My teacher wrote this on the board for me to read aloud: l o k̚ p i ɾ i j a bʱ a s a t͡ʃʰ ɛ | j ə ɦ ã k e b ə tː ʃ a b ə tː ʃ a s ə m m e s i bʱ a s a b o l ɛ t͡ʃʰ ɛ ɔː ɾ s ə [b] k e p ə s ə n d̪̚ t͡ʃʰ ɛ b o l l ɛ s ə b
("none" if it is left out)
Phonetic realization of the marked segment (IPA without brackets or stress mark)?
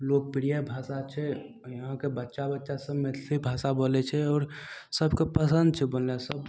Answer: b